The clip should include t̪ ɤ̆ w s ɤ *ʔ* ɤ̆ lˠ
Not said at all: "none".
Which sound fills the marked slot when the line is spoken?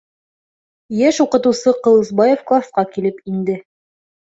q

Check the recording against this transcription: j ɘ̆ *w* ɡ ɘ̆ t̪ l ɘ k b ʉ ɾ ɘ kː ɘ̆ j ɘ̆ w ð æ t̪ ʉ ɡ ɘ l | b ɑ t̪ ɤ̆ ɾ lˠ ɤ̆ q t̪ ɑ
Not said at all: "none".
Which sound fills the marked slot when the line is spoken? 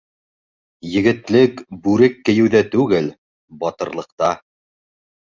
none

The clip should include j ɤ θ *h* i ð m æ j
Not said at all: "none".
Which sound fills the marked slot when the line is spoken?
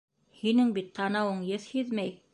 h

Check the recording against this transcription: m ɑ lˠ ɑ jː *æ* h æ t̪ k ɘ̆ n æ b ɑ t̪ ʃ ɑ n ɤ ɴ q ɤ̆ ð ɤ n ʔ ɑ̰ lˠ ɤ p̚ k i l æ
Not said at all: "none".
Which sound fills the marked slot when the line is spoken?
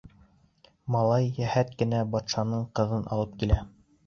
æ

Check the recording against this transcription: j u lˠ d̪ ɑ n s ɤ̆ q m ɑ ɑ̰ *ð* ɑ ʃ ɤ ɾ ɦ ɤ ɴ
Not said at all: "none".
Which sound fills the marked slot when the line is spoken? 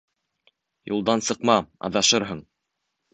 ð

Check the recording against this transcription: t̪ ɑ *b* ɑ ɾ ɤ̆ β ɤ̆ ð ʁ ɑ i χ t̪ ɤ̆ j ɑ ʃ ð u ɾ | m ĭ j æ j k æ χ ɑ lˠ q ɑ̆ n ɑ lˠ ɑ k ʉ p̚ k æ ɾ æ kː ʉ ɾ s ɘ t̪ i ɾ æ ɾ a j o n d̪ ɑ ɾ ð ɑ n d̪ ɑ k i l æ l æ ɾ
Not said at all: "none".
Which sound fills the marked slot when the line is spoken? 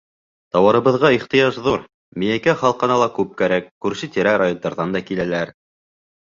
w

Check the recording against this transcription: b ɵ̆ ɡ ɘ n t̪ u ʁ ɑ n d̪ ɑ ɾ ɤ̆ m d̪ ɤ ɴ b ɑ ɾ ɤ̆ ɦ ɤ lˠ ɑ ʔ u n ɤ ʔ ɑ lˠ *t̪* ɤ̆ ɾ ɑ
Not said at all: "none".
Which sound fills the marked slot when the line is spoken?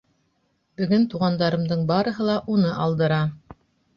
d̪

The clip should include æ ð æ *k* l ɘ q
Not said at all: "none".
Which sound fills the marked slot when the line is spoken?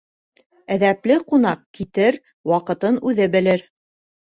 p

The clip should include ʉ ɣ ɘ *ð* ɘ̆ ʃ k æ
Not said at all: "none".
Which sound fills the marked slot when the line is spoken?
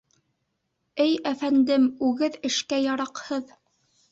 ð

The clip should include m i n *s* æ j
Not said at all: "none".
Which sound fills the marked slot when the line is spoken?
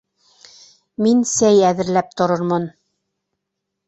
s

